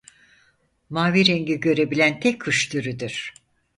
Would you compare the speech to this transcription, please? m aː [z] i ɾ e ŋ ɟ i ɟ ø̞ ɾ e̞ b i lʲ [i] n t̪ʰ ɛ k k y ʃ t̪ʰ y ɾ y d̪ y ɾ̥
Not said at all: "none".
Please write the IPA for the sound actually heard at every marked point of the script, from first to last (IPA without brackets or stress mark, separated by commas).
v, æ